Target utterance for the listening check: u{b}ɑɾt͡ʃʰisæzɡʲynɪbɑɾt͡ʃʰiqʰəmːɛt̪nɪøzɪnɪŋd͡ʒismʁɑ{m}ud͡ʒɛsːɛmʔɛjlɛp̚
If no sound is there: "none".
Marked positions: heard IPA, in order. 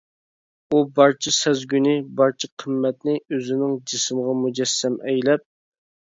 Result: b, m

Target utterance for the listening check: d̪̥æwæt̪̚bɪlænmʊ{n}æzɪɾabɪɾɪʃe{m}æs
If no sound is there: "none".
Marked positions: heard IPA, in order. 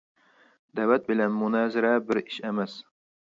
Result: n, m

